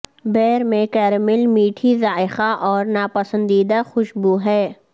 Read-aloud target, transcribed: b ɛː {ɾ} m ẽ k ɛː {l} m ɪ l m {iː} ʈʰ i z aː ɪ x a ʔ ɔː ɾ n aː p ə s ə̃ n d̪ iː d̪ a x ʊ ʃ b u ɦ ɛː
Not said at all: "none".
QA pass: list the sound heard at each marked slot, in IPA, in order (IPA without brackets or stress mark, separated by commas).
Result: ɾ, ɾ, iː